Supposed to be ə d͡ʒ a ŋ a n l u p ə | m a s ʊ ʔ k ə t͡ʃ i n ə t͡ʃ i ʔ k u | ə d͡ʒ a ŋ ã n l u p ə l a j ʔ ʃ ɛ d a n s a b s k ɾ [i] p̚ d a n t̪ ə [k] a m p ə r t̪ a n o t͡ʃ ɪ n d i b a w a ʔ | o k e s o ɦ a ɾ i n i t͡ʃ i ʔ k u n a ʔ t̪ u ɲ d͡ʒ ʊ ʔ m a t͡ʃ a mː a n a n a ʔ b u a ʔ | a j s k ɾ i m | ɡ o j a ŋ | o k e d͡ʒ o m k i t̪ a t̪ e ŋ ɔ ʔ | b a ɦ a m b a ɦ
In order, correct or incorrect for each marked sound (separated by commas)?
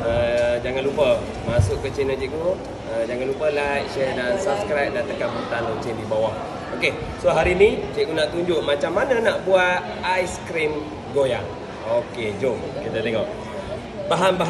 incorrect, correct